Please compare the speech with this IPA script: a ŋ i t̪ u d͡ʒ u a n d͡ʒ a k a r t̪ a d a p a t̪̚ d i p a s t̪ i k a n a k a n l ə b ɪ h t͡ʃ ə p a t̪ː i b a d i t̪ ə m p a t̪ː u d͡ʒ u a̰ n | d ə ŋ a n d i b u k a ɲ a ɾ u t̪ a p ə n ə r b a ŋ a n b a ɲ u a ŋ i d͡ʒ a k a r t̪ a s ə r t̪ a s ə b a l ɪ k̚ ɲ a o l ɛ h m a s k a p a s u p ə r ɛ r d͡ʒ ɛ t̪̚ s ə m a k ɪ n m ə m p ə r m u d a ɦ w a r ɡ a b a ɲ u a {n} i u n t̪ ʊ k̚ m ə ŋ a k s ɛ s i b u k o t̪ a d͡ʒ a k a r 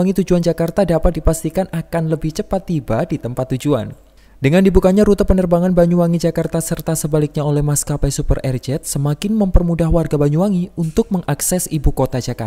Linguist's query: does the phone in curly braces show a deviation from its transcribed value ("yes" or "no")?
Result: yes